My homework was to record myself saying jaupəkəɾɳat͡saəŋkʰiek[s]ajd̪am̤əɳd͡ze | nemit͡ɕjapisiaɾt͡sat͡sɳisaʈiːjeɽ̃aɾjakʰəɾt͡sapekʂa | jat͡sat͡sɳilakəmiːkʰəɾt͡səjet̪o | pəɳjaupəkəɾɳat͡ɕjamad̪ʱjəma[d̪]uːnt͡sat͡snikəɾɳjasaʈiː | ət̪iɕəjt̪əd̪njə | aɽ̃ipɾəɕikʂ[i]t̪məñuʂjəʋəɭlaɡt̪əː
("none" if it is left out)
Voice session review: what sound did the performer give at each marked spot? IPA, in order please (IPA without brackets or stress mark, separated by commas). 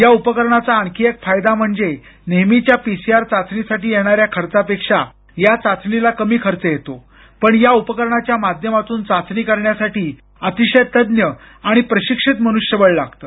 f, t̪, i